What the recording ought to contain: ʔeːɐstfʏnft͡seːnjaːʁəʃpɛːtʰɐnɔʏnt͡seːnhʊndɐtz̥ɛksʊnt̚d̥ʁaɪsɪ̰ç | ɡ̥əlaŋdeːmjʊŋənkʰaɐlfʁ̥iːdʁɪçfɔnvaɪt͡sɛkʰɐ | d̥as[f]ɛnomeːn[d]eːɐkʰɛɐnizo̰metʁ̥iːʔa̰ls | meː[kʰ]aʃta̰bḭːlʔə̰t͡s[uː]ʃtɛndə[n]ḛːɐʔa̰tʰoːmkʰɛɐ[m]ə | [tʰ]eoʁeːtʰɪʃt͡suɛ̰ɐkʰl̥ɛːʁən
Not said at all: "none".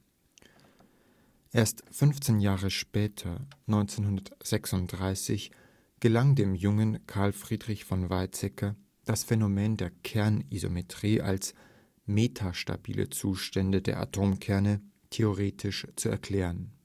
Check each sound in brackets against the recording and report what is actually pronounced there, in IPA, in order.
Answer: f, d, tʰ, uː, d, n, tʰ

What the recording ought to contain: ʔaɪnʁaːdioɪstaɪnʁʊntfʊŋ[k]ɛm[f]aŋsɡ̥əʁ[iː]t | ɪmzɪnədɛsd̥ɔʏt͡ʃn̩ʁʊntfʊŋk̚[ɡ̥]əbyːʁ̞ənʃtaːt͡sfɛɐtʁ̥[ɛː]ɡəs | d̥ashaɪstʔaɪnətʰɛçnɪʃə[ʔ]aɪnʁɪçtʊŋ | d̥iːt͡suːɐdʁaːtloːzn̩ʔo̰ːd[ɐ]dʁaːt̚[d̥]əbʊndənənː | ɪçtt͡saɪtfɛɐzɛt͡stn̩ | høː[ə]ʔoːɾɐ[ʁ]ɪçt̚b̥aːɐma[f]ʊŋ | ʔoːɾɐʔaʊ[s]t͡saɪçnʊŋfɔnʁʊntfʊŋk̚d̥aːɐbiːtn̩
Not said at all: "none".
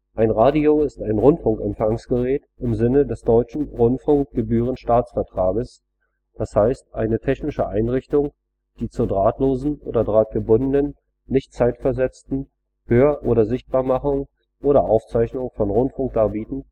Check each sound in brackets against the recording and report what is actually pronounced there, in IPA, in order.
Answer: k, f, ɛː, ɡ̥, aː, ʔ, ɐ, ɡ̥, ɐ, z, χ, f

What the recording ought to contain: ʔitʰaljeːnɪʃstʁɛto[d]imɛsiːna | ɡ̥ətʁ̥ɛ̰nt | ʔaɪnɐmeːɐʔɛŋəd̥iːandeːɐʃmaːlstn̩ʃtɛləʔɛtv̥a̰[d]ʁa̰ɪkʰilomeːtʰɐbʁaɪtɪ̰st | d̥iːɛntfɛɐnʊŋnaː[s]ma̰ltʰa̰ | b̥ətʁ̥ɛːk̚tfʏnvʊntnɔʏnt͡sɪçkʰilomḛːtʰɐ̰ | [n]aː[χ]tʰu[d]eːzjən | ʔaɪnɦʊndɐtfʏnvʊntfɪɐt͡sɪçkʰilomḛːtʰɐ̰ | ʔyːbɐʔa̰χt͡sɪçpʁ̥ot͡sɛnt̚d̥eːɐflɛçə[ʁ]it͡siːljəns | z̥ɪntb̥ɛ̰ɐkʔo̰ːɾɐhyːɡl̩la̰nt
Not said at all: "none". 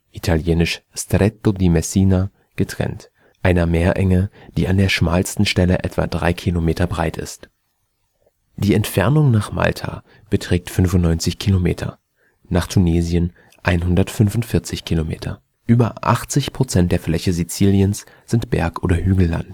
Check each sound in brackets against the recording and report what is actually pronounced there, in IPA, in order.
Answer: d, d, χ, n, χ, n, z

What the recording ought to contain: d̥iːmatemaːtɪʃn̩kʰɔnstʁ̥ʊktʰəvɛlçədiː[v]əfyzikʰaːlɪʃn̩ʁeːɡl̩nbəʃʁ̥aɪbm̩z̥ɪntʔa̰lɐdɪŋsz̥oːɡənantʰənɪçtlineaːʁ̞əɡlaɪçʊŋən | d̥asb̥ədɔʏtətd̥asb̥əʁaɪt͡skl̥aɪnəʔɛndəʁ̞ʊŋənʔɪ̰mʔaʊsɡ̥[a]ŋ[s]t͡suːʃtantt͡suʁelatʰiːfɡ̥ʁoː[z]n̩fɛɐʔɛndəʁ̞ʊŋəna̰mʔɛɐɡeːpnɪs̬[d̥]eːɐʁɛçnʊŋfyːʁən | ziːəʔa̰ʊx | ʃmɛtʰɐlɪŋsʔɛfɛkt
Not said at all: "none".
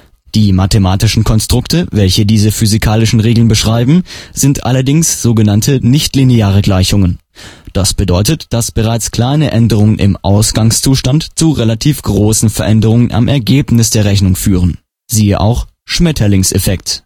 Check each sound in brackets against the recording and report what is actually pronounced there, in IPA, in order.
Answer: z, a, s, s, d̥

